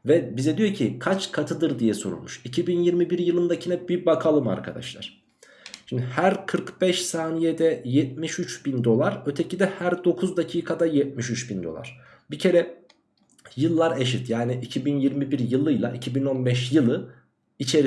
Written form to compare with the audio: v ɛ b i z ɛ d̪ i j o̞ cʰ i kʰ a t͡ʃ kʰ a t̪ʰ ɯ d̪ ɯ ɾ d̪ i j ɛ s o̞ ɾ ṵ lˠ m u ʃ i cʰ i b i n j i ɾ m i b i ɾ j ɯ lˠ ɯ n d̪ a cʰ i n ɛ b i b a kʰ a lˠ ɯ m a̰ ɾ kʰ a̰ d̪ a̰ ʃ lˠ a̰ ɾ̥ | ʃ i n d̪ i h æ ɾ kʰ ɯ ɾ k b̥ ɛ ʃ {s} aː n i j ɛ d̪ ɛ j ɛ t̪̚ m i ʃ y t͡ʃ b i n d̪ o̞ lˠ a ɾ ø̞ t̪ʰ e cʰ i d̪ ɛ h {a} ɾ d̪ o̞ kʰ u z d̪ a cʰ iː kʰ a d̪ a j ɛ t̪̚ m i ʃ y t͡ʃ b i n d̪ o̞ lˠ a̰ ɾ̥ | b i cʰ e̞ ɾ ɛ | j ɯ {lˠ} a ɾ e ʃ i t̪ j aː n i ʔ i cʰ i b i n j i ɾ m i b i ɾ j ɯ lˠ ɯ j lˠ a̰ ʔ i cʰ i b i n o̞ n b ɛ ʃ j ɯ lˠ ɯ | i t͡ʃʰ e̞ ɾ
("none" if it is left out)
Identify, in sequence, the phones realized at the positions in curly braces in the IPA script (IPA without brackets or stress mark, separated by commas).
s, æ, lˠː